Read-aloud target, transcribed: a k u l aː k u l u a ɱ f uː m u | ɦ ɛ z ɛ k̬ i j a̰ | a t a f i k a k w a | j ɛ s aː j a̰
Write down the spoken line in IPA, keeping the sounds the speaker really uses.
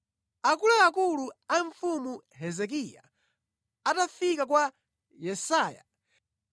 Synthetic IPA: a k u l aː k u l u a ɱ f u m u | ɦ ɛ z ɛ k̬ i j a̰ | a t a f i k a k w a | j ɛ s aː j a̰